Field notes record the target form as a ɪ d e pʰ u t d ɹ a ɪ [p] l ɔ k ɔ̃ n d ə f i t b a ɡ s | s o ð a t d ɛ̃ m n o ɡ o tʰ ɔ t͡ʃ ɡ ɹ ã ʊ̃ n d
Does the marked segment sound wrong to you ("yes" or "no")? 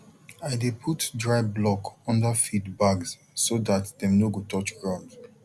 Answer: yes